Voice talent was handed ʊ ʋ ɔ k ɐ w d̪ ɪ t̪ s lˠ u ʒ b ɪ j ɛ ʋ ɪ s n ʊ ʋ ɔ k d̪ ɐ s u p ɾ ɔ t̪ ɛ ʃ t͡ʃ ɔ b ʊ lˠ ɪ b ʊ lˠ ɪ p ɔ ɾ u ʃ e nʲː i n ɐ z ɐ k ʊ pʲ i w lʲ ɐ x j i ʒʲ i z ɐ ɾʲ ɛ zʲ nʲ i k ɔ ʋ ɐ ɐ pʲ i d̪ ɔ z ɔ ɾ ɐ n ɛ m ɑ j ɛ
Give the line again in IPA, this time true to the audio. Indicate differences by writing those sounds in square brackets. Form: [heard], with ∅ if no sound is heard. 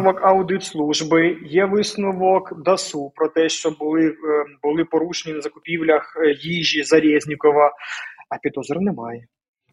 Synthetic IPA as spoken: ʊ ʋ ɔ k ɐ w d̪ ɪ t̪ s lˠ u ʒ b ɪ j ɛ ʋ ɪ s n ʊ ʋ ɔ k d̪ ɐ s u p ɾ ɔ t̪ ɛ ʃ t͡ʃ ɔ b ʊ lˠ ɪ b ʊ lˠ ɪ p ɔ ɾ u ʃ e [nʲ] i n ɐ z ɐ k ʊ pʲ i w lʲ ɐ x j i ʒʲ i z ɐ ɾʲ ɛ zʲ nʲ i k ɔ ʋ ɐ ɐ pʲ i d̪ ɔ z ɔ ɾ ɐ n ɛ m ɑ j ɛ